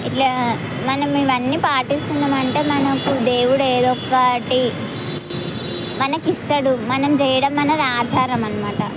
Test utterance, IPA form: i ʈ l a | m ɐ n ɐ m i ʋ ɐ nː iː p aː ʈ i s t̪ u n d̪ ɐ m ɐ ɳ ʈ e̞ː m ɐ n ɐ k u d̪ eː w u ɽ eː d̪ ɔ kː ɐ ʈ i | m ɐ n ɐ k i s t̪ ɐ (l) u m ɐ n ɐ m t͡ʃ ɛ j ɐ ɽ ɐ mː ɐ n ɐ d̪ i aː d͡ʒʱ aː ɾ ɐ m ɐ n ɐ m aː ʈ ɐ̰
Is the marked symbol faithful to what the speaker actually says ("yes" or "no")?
no